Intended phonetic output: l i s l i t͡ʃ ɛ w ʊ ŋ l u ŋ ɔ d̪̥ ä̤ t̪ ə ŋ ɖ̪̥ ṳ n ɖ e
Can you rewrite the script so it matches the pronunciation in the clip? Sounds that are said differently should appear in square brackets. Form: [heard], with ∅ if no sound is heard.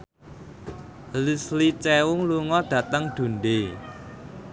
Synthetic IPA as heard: l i s l i t͡ʃ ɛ w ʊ ŋ l u ŋ ɔ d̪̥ ä̤ t̪ ə ŋ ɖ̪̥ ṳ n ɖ e